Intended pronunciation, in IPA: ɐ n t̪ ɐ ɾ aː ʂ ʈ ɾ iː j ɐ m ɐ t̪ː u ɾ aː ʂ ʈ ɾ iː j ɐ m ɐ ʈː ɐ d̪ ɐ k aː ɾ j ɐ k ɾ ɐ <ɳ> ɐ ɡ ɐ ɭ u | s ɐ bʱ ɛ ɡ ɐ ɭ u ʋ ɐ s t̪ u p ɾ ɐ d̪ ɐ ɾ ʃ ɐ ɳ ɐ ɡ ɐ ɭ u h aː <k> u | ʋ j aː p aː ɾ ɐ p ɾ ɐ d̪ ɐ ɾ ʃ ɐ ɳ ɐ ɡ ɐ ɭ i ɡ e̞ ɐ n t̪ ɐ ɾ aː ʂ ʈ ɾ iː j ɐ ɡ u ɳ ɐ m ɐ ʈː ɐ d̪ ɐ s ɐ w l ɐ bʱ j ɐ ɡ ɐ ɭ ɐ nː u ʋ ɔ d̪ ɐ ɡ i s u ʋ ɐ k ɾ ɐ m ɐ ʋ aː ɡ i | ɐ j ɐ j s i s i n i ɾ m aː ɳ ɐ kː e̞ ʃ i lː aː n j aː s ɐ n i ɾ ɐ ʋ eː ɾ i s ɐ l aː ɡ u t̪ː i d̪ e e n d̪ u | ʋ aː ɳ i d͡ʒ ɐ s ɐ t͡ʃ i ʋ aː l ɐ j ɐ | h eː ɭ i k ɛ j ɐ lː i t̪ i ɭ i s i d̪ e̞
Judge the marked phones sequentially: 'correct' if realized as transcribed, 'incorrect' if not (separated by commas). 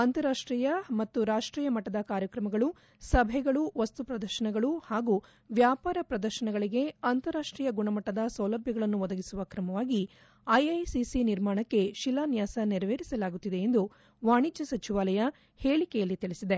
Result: incorrect, incorrect